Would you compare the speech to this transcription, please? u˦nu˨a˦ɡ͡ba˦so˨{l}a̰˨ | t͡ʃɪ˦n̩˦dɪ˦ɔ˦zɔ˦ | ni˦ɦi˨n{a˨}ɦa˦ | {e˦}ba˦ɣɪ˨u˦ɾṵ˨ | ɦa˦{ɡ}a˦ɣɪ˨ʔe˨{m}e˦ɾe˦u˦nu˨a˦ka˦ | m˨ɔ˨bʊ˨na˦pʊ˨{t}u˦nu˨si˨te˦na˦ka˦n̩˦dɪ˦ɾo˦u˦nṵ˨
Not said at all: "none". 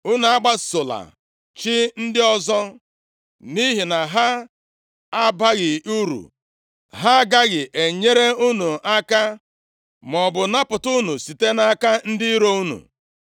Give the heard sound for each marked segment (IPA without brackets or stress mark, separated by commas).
l, a˨, a˦, ɡ, ɲ, t